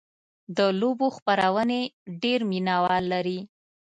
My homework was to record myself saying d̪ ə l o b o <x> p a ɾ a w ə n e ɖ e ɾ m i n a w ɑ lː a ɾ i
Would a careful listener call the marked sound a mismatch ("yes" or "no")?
no